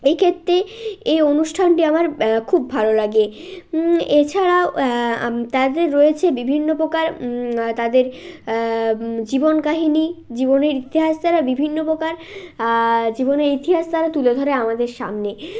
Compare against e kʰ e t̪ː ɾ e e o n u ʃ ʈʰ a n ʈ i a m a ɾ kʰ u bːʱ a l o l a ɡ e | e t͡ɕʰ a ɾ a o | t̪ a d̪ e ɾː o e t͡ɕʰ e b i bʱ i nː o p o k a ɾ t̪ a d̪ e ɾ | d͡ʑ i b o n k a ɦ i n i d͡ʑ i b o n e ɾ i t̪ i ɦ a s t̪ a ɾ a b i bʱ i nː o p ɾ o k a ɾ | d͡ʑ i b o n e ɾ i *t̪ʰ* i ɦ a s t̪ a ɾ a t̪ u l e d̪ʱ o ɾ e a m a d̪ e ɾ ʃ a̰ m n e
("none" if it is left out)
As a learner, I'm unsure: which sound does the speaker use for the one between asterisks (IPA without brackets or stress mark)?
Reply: t̪